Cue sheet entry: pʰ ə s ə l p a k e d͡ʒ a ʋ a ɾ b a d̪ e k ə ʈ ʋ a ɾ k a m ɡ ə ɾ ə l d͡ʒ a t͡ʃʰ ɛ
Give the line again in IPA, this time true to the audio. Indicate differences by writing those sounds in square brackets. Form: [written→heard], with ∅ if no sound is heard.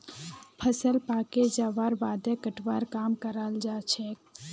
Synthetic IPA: pʰ ə s ə l p a k e d͡ʒ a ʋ a ɾ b a d̪ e k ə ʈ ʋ a ɾ k a m [ɡ→k] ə ɾ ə l d͡ʒ a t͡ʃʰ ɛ